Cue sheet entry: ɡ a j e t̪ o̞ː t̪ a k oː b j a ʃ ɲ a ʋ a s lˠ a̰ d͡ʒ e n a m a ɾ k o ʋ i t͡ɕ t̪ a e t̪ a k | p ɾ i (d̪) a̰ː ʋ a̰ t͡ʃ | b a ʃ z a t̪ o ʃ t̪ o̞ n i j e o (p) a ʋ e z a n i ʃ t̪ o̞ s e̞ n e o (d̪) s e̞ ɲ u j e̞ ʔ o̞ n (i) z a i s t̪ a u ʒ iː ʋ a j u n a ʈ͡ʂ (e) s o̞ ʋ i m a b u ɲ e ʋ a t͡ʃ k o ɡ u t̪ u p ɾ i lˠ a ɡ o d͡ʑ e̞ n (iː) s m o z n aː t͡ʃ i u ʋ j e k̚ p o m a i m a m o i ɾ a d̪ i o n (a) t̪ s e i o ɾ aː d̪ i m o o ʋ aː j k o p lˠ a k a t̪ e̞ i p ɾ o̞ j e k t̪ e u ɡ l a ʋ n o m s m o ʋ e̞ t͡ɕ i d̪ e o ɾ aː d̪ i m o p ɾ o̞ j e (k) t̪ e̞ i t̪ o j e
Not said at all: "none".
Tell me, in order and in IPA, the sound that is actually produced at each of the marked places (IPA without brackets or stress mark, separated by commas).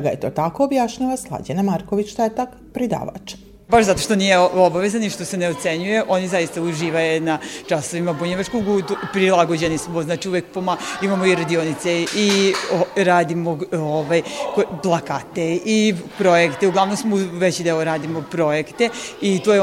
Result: d̪, b, t̪, i, a, i, i, k